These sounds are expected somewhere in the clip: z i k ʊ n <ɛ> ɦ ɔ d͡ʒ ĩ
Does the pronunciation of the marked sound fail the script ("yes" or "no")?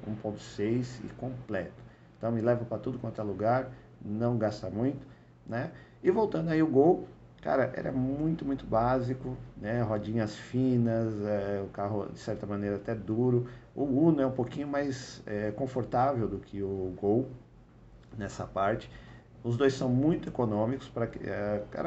no